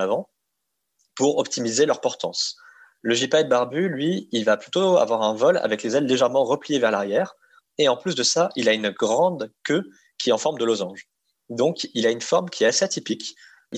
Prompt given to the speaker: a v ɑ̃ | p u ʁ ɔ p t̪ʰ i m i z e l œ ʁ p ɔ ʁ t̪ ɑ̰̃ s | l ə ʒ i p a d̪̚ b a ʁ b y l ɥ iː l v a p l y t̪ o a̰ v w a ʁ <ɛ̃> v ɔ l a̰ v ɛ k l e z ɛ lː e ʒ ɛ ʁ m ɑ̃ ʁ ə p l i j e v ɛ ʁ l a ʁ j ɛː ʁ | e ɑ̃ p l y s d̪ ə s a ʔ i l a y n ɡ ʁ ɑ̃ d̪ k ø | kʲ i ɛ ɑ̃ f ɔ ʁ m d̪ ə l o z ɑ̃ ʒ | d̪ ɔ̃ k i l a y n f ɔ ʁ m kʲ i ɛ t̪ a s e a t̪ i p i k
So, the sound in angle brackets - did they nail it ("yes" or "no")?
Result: yes